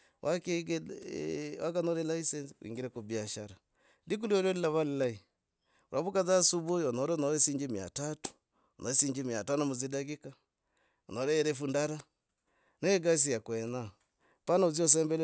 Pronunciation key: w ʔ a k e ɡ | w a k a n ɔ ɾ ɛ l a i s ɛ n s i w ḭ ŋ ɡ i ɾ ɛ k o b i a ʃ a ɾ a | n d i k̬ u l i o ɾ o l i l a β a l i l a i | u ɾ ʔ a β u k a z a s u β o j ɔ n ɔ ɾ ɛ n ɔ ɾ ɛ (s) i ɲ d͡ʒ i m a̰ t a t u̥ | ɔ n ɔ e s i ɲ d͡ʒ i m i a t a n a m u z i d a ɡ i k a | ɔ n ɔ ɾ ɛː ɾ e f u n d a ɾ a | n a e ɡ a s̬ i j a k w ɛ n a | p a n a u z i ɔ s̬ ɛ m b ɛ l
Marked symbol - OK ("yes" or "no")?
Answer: yes